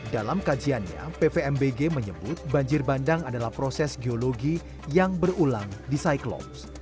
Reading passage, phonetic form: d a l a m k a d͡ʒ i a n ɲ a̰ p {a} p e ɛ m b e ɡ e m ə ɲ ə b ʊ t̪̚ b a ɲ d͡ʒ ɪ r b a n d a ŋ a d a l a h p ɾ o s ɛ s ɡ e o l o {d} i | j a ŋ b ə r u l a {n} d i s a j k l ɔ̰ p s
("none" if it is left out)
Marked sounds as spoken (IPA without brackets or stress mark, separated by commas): e, ɡ, ŋ